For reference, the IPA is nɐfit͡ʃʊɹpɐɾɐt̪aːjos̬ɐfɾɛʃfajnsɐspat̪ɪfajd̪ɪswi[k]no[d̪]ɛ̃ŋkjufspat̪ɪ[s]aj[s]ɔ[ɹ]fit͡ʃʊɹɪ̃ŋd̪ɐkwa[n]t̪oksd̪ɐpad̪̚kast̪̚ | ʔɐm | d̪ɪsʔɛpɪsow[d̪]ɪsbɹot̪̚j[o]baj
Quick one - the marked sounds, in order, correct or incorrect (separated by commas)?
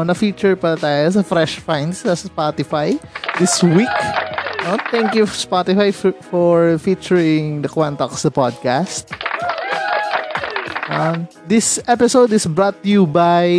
correct, incorrect, incorrect, incorrect, correct, correct, correct, incorrect